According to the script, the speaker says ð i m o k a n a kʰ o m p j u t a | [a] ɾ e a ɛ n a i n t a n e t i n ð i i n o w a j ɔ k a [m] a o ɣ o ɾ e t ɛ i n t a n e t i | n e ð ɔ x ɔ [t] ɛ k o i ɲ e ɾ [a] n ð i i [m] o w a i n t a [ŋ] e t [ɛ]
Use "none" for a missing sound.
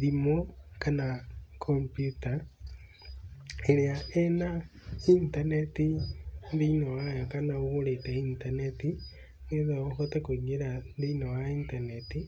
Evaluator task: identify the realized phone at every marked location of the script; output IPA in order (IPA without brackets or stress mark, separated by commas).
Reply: e, n, t, a, n, n, i